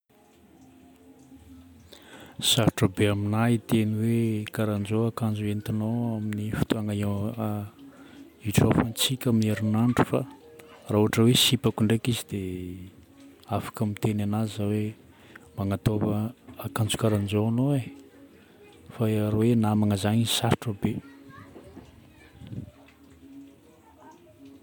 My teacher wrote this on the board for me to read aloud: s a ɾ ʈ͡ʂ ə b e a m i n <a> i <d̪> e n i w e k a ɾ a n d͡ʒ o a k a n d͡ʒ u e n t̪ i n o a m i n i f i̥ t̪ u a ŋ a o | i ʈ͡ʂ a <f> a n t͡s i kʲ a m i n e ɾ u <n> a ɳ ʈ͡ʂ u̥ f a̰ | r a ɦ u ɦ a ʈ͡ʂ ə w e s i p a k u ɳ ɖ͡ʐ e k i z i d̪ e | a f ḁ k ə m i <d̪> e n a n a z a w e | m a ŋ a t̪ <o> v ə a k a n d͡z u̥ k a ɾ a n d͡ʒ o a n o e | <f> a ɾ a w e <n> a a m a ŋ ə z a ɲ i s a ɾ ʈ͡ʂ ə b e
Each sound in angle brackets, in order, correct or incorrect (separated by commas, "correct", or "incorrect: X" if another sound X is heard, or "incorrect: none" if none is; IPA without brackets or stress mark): correct, incorrect: t̪, correct, correct, incorrect: t̪, correct, correct, correct